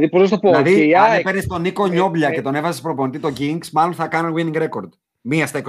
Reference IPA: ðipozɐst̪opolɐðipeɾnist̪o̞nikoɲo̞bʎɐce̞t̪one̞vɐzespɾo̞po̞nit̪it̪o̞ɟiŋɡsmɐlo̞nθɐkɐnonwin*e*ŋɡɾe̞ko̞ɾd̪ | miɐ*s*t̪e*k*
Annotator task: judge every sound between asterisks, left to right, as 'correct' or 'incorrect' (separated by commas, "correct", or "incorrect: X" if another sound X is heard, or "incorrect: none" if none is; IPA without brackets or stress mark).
incorrect: i, correct, correct